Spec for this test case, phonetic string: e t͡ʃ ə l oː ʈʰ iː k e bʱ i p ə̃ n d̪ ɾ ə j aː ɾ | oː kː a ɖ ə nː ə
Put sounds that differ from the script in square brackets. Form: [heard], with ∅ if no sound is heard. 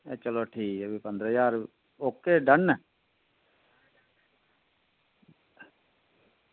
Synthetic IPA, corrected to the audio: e t͡ʃ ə l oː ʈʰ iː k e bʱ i p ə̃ n d̪ ɾ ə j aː ɾ | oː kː [e] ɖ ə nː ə